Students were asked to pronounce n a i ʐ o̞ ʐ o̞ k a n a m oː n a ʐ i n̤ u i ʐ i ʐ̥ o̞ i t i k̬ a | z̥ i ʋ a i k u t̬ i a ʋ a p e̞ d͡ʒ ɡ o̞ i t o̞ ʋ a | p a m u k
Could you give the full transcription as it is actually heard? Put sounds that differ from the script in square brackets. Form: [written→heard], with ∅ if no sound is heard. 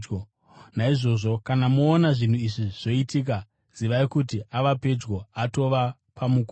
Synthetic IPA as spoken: n a i ʐ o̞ ʐ o̞ k a n a m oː n a ʐ i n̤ u i ʐ i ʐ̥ o̞ i t i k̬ a | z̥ i ʋ a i k u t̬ i a ʋ a p e̞ d͡ʒ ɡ o̞ [i→a] t o̞ ʋ a | p a m u k